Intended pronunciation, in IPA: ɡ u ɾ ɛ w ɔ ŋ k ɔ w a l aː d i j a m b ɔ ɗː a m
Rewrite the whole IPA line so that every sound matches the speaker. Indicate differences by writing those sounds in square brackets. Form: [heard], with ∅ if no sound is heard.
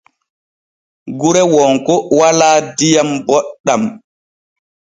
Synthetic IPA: ɡ u ɾ ɛ w ɔ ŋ k ɔ w a l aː d i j a m b ɔ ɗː a m